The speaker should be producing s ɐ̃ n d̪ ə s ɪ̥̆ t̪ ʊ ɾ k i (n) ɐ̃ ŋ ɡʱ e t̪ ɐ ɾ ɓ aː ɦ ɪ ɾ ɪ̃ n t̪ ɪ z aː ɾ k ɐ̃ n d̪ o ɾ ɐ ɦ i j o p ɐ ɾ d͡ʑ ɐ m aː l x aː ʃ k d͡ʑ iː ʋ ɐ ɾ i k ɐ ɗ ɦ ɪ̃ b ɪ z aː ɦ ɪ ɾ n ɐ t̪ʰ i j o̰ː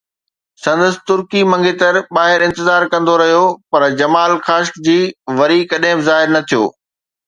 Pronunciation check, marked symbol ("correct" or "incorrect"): incorrect